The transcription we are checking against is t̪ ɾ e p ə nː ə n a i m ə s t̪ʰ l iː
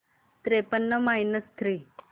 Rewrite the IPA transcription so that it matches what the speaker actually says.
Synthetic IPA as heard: t̪ ɾ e p ə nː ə m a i n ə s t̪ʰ ɾ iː